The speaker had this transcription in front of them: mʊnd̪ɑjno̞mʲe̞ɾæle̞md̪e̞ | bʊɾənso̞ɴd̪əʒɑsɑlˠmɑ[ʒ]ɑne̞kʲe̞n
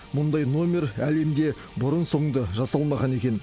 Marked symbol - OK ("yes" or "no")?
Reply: no